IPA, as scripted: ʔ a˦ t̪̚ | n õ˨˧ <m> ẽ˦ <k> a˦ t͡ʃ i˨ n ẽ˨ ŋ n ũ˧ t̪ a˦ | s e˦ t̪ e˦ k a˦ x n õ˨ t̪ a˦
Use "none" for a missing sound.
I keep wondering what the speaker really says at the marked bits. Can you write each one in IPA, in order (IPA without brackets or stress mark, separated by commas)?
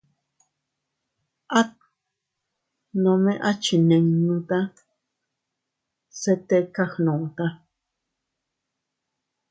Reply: m, ʔ